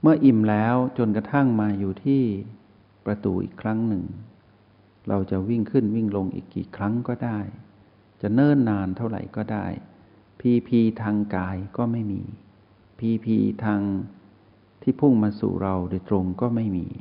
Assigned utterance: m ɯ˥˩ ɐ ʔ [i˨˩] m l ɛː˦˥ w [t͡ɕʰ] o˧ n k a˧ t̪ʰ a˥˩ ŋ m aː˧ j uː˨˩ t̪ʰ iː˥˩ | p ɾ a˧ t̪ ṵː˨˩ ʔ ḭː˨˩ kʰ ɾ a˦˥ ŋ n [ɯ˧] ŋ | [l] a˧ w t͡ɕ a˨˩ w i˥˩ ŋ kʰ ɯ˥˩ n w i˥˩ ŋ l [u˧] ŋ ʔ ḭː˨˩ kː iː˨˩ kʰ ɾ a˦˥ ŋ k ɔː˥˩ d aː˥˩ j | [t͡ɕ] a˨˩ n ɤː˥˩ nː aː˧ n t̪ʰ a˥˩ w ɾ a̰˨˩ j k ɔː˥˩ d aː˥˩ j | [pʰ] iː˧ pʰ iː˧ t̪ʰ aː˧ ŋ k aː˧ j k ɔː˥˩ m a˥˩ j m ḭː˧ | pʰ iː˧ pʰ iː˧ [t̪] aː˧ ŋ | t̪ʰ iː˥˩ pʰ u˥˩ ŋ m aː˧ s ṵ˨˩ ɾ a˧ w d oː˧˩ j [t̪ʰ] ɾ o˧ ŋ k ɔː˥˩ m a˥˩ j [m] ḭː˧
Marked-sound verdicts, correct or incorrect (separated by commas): correct, incorrect, incorrect, incorrect, incorrect, correct, correct, incorrect, incorrect, correct